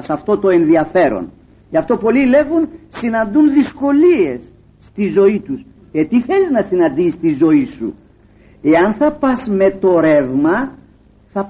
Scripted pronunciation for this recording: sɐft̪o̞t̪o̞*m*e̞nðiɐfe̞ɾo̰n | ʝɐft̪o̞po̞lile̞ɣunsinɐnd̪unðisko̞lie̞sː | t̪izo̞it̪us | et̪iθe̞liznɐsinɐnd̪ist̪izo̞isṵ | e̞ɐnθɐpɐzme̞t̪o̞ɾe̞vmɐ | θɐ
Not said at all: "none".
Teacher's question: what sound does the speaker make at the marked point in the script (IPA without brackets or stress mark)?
none